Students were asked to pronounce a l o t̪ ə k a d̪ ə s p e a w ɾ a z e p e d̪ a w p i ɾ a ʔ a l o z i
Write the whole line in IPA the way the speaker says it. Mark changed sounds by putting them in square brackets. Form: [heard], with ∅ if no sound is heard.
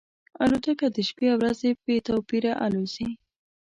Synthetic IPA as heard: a l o t̪ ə k a d̪ ə [ʃ] p e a w ɾ a z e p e [t̪] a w p i ɾ a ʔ a l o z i